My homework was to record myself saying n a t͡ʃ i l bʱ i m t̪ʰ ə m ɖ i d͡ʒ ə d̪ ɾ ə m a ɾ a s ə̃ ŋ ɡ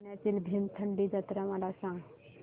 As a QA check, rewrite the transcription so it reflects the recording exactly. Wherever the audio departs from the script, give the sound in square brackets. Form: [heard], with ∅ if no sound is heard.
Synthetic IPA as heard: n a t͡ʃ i l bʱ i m t̪ʰ ə [ɳ] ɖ i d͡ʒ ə [t̪] ɾ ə m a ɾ a s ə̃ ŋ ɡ